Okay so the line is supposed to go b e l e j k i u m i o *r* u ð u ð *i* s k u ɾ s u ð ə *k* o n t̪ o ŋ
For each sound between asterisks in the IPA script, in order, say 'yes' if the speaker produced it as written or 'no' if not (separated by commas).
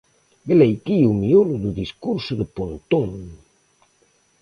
no, yes, no